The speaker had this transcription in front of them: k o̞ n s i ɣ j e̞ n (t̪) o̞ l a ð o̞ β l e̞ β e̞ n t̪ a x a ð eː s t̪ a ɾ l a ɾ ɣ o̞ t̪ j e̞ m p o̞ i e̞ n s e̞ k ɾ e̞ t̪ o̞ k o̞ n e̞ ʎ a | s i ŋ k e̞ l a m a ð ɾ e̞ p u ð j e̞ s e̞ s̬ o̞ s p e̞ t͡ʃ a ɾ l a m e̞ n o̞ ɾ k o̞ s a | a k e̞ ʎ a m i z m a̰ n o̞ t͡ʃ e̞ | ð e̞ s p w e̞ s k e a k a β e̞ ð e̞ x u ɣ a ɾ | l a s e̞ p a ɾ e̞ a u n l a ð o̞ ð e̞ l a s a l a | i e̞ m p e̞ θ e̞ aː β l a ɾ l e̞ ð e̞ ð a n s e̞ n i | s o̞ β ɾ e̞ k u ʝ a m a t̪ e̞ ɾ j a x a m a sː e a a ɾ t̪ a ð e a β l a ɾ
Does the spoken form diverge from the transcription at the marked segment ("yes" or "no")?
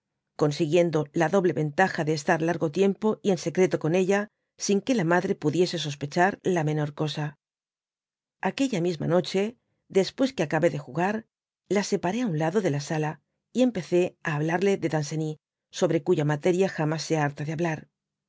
yes